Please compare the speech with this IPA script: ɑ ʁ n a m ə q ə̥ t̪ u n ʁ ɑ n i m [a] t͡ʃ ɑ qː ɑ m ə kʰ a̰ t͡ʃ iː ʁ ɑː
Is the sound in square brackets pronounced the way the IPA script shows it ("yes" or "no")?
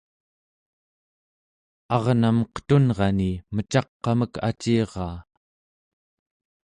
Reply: no